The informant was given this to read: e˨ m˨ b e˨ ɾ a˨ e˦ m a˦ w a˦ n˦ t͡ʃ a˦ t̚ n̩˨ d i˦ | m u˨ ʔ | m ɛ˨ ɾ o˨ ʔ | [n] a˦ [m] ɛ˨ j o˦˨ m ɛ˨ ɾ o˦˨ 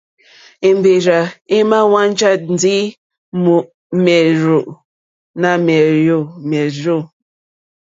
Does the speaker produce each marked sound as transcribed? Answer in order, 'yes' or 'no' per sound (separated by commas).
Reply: yes, yes